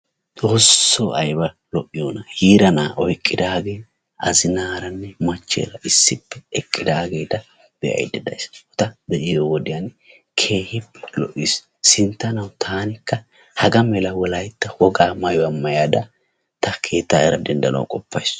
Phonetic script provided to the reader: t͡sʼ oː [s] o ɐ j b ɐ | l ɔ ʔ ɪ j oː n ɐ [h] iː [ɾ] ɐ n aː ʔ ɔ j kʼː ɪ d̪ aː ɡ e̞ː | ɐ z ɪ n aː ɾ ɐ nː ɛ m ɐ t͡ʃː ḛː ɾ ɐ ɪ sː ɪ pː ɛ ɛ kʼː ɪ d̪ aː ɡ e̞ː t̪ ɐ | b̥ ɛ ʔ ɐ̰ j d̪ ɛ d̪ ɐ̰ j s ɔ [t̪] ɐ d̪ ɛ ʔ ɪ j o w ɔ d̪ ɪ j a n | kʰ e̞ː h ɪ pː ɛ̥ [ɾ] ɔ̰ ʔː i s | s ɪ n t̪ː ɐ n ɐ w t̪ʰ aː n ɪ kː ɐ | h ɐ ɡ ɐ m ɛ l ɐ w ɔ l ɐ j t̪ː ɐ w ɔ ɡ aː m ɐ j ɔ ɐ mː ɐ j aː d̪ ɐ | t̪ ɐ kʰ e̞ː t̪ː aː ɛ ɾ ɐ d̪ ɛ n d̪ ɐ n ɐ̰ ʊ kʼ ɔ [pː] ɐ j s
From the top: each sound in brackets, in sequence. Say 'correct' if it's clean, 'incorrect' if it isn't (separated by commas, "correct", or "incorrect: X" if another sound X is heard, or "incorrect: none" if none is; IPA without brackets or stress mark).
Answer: incorrect: sː, correct, correct, correct, incorrect: l, correct